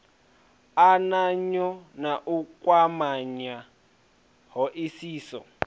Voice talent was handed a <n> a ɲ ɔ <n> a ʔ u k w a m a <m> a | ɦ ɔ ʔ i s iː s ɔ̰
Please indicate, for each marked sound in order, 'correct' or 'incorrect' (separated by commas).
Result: correct, correct, incorrect